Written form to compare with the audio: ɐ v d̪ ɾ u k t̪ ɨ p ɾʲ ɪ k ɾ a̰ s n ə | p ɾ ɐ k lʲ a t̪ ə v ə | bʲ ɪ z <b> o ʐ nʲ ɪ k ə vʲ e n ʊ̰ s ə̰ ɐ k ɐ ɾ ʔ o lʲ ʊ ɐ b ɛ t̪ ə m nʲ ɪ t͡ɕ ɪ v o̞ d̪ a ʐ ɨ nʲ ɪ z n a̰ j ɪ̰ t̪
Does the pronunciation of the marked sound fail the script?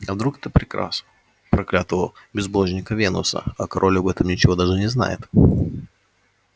no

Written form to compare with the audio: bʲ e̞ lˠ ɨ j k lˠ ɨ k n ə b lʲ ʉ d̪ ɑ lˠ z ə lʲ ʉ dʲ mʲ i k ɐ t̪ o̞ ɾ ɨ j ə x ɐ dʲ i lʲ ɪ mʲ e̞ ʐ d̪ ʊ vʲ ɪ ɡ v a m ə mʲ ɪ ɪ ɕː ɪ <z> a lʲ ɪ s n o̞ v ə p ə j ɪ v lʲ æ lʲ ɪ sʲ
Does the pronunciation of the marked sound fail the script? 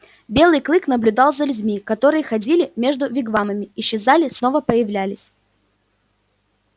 no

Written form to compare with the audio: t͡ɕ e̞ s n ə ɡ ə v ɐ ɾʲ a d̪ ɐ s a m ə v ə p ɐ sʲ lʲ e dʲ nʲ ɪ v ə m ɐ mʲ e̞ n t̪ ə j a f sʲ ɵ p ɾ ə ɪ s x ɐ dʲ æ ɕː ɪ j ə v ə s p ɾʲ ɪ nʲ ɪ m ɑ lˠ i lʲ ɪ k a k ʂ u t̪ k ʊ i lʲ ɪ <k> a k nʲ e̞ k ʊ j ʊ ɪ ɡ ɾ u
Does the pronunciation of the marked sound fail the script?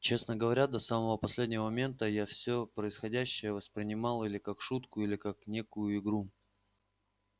no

